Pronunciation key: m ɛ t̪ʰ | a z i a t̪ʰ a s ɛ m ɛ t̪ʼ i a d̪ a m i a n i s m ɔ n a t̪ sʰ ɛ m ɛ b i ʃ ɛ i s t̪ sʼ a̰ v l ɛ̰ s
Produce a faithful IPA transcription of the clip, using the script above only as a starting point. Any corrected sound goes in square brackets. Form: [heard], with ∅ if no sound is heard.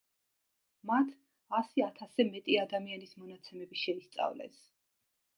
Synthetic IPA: m [a] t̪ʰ | a [s] i a t̪ʰ a s ɛ m ɛ t̪ʼ i a d̪ a m i a n i s m ɔ n a t̪ sʰ ɛ m ɛ b i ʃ ɛ i s t̪ sʼ a̰ v l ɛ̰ s